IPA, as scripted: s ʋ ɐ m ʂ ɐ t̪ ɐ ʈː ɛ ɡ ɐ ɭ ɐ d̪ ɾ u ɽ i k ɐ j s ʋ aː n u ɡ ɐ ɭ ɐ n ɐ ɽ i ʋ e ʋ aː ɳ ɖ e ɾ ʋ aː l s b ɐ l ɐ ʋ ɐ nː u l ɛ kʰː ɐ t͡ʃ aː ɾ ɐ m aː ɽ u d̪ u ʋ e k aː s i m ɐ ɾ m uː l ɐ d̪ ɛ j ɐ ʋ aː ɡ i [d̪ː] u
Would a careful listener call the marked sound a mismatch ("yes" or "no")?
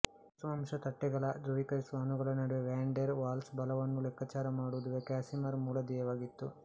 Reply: yes